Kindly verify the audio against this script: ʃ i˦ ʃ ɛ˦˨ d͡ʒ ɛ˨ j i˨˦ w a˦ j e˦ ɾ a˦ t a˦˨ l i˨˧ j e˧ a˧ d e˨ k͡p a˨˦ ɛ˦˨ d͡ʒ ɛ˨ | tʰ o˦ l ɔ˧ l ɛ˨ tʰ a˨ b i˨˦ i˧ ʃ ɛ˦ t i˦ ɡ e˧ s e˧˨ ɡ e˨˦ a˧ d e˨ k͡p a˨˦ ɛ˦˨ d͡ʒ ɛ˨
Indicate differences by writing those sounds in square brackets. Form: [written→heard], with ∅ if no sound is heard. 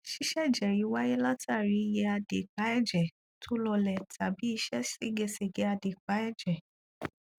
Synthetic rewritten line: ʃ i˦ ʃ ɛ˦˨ d͡ʒ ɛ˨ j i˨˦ w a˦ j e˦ [ɾ→l] a˦ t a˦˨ [l→ɾ] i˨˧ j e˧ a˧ d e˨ k͡p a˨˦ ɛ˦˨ d͡ʒ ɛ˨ | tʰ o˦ l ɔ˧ l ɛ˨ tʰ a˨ b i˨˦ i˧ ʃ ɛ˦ [t→s] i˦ ɡ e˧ s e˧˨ ɡ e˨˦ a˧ d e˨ k͡p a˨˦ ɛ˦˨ d͡ʒ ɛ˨